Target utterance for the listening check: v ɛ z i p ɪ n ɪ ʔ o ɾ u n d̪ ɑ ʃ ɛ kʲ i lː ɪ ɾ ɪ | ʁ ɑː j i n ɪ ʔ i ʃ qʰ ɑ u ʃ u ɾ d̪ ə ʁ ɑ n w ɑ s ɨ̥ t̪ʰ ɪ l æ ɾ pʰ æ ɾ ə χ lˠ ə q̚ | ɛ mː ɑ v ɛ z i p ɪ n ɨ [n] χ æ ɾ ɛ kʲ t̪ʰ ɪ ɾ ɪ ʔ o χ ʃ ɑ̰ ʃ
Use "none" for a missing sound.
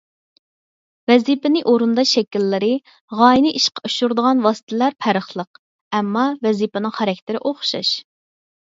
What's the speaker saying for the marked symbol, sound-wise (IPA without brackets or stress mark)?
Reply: ŋ